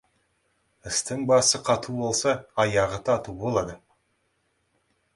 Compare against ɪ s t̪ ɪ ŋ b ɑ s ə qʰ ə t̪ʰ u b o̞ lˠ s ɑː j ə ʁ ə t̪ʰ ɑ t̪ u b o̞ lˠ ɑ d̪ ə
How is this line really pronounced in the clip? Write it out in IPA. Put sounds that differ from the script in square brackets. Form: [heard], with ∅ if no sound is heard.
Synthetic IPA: ɪ s t̪ ɪ ŋ b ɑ s ə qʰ [ɑ] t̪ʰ u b o̞ lˠ s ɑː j [ɑ] ʁ ə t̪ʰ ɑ t̪ u b o̞ lˠ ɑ d̪ ə